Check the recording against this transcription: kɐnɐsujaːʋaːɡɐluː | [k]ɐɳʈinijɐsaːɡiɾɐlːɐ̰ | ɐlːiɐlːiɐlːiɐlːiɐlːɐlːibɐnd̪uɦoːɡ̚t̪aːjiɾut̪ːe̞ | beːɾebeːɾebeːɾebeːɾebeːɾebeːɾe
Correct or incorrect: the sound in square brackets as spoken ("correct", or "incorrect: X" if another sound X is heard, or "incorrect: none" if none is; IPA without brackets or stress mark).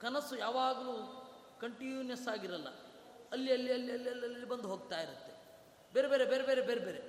correct